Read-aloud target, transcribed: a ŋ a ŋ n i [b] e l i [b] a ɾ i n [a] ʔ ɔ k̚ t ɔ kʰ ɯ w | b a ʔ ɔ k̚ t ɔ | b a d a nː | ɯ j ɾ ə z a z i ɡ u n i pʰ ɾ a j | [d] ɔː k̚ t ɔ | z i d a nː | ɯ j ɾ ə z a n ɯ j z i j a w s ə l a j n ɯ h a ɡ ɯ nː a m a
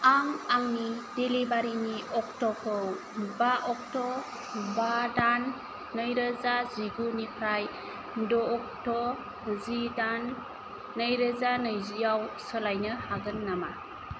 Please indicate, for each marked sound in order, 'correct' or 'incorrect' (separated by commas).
incorrect, correct, incorrect, correct